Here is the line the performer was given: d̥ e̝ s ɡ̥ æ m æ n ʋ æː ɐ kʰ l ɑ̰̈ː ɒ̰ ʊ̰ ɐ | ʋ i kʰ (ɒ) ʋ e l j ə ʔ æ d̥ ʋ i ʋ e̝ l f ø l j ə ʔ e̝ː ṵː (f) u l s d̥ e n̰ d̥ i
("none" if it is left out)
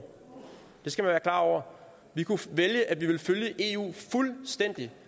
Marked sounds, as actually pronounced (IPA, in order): u, f

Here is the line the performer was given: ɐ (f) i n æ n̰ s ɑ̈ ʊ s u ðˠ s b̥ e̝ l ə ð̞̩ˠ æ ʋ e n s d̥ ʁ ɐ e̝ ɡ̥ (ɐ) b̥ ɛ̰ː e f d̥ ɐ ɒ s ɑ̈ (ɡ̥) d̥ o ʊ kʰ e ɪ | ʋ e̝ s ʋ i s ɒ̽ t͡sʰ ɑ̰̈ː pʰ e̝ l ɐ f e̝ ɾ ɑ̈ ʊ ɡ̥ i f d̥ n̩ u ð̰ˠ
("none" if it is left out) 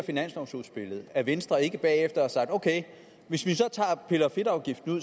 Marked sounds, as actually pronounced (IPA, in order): f, ə, ɡ̥

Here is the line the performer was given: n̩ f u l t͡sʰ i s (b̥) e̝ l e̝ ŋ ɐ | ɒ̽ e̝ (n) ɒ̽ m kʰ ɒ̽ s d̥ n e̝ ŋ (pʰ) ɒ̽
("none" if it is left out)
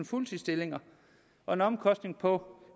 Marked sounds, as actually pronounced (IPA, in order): d̥, n, pʰ

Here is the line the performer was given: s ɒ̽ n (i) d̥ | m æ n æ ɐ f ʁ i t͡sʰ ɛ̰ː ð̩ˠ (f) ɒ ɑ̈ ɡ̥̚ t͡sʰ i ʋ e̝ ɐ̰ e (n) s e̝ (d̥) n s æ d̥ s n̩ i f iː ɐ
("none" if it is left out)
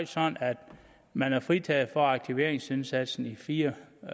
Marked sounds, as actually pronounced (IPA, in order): æ, f, ŋ, none

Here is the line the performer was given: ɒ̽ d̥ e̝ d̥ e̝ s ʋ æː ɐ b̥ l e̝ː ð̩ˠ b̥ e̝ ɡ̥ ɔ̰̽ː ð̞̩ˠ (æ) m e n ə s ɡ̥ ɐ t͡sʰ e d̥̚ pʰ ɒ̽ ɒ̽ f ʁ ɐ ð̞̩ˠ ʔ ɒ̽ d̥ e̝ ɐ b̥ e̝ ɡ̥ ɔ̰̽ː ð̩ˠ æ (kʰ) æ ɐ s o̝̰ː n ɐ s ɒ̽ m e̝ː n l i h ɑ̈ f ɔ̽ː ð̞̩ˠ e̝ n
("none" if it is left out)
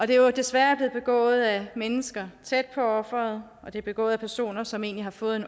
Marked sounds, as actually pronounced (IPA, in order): æ, pʰ

